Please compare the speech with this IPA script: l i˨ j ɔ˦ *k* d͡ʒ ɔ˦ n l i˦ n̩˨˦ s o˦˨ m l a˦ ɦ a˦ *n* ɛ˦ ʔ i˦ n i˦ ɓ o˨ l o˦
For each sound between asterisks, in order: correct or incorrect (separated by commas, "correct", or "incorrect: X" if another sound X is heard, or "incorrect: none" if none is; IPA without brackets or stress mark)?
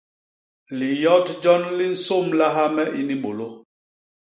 incorrect: t, incorrect: m